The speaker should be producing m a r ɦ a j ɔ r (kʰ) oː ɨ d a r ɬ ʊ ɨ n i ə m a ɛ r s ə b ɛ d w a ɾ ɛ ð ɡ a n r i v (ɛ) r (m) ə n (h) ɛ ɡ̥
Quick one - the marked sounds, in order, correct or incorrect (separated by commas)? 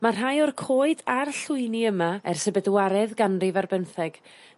correct, incorrect, incorrect, incorrect